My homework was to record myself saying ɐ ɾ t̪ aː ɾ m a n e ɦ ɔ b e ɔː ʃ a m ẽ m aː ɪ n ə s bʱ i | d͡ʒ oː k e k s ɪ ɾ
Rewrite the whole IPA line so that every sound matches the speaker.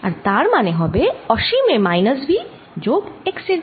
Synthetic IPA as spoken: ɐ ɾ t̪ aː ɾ m a n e ɦ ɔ b e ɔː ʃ i m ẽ m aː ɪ n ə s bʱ i | d͡ʒ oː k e k s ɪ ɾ

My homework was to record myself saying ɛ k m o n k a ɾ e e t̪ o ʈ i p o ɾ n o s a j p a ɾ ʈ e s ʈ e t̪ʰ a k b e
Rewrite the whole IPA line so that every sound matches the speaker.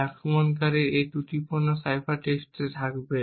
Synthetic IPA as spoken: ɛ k m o n k a ɾ e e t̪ u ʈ i p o ɾ n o s a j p a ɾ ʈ e s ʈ e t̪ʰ a k b e

